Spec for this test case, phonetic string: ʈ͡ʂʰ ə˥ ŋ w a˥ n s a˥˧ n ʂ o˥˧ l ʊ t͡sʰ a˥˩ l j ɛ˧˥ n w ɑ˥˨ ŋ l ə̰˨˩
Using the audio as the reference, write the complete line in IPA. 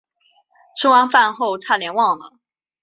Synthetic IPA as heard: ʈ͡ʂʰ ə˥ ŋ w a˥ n f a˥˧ n x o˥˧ ʊ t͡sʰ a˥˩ l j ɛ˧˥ n w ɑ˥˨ ŋ l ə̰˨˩